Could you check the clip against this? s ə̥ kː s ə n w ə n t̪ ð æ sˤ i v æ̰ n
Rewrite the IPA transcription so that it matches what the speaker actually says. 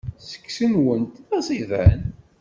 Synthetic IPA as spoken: s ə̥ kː s ə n w ə n t̪ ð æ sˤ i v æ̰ n